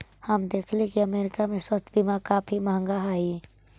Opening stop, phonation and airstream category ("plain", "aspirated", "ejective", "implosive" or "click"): plain